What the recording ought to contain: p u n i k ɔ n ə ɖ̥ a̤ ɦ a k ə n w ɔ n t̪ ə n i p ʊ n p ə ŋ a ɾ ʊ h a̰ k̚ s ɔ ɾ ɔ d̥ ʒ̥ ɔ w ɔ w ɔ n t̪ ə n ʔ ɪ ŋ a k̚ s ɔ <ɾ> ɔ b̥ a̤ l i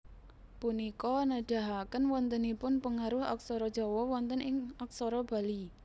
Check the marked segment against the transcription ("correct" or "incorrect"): correct